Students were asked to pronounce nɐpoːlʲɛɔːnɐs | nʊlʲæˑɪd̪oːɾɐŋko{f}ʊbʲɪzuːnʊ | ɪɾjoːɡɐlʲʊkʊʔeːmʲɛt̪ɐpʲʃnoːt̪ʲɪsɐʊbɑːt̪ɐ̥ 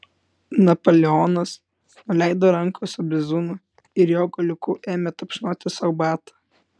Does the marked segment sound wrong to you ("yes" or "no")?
yes